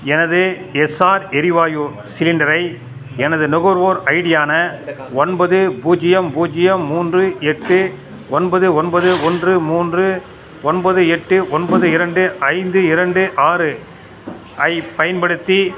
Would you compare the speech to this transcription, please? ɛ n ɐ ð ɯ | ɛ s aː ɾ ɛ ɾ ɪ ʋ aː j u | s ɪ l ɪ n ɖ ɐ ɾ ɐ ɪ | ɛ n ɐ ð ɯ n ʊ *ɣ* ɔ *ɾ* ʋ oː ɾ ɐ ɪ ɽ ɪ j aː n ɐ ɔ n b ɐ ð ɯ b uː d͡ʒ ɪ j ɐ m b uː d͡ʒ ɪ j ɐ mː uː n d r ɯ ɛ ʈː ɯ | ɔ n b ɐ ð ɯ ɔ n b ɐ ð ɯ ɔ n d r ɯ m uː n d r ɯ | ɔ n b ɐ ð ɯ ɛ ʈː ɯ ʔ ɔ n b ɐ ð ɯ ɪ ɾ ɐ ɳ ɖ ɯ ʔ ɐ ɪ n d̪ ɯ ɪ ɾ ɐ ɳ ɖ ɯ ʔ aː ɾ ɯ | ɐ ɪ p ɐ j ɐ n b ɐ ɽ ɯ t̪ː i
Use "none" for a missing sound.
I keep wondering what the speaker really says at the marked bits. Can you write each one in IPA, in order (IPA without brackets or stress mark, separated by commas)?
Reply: ɣ, ɾ